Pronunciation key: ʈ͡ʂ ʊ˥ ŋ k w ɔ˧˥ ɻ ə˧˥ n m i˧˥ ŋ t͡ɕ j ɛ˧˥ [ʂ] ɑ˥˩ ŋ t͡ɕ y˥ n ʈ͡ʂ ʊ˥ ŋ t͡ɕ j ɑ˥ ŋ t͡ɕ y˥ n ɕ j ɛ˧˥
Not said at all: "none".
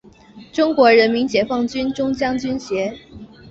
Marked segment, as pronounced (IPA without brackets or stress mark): f